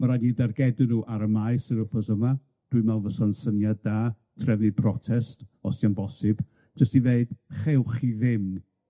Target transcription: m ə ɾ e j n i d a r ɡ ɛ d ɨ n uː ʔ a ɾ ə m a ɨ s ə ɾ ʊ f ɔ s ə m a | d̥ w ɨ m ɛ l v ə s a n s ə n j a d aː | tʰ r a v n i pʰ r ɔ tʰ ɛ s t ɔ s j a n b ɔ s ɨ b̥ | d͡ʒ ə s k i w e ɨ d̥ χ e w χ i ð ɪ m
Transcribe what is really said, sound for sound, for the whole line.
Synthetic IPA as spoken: m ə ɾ a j n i d a r ɡ ɛ d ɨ n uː ʔ a ɾ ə m a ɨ s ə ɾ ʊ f ɔ s ə m a | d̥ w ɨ m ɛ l v ə s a n s ə n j a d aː | tʰ r ɛ v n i pʰ r ɔ tʰ ɛ s t ɔ s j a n b ɔ s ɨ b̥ | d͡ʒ ə s t i v e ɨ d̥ χ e w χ i ð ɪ m